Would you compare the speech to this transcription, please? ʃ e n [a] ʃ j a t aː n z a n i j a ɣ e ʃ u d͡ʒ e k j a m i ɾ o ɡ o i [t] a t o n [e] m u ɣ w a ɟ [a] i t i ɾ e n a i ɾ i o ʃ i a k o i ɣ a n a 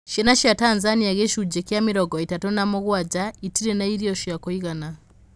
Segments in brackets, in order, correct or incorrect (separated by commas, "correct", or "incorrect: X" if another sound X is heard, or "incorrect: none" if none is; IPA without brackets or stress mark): correct, correct, incorrect: a, correct